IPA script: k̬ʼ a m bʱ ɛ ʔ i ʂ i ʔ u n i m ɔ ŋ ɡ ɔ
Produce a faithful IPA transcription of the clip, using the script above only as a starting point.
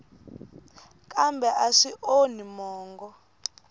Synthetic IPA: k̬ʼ a m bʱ ɛ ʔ a ʂ i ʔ o n i m ɔː ŋ ɡ ɔ